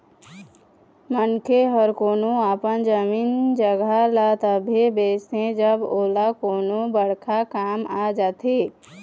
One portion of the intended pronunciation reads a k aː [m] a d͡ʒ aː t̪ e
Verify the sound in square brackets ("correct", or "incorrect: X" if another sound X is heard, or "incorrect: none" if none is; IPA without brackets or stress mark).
correct